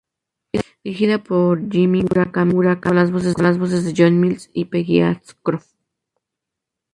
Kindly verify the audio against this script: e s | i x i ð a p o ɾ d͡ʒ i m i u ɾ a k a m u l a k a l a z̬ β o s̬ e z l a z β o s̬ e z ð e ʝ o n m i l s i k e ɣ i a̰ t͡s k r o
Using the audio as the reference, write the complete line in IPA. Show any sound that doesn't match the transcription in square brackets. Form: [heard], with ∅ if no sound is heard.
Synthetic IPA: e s | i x i ð a p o ɾ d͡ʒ i m i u ɾ a k a m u [ɾ] a k a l a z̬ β o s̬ e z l a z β o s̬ e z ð e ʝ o n m i l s i [p] e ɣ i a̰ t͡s k [ɾ] o